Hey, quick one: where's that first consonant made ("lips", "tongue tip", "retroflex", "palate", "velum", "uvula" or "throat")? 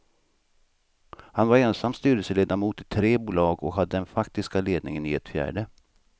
throat